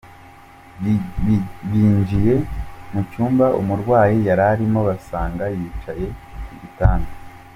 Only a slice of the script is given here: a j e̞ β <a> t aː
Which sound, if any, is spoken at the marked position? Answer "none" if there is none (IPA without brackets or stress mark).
i